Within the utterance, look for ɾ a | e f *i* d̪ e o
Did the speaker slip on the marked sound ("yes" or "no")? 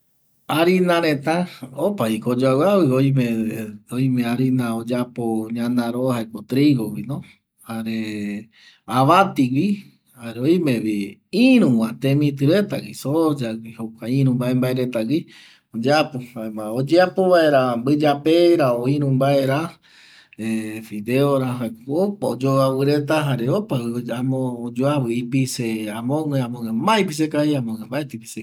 no